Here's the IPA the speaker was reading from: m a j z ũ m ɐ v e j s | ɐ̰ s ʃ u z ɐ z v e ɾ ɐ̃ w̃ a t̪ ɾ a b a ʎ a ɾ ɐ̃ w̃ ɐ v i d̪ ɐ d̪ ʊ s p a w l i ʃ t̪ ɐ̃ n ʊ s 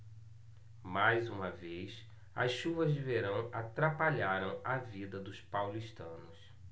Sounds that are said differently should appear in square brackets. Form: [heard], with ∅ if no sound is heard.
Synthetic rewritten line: m a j z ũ m ɐ v e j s | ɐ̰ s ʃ u [v] ɐ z v e ɾ ɐ̃ w̃ a t̪ ɾ a [p] a ʎ a ɾ ɐ̃ w̃ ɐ v i d̪ ɐ d̪ ʊ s p a w l i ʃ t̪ ɐ̃ n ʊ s

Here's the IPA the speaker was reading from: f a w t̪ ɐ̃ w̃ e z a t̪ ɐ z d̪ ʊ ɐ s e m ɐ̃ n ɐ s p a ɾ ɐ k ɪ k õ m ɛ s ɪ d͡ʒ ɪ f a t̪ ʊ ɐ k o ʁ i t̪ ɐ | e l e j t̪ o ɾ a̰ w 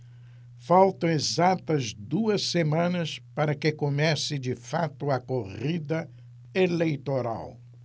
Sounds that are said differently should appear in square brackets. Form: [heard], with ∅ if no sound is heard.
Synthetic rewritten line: f a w t̪ ɐ̃ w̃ e z a t̪ ɐ z d̪ [u] ɐ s e m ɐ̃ n ɐ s p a ɾ ɐ k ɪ k [o] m ɛ s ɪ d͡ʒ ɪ f a t̪ ʊ ɐ k o ʁ i [d̪] ɐ | e l e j t̪ o ɾ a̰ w

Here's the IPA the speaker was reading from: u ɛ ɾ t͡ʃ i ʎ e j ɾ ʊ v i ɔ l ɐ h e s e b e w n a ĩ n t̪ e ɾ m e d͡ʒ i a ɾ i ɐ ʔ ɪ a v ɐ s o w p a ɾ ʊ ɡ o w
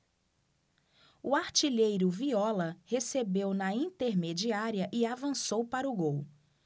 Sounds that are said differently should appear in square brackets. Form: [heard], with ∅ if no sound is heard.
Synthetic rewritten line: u [a] ɾ t͡ʃ i ʎ e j ɾ ʊ v i ɔ l ɐ h e s e b e w n [ɐ] ĩ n t̪ e ɾ m e d͡ʒ i a ɾ i ɐ ʔ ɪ a v [ɐ̃] s o w p a ɾ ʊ ɡ o w

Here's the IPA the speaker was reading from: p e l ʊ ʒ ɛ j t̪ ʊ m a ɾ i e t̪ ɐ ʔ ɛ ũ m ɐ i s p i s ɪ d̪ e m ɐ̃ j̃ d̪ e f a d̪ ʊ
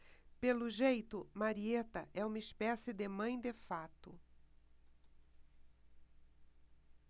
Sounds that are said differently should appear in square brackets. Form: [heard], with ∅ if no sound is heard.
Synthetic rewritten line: p e l ʊ ʒ [e] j t̪ ʊ m a ɾ i e t̪ ɐ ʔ ɛ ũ m ɐ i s p [ɛ] s ɪ d̪ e m ɐ̃ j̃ d̪ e f a [t̪] ʊ

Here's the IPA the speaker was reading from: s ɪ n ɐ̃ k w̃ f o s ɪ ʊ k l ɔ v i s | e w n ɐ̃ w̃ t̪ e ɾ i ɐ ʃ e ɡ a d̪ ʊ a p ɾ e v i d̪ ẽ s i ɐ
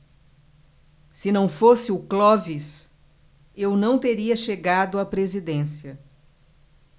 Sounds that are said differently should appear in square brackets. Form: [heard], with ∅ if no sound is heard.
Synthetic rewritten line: s ɪ n ɐ̃ [∅] w̃ f o s ɪ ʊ k l ɔ v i s | e w n ɐ̃ w̃ t̪ e ɾ i ɐ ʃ e ɡ a d̪ ʊ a p ɾ e [z] i d̪ ẽ s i ɐ

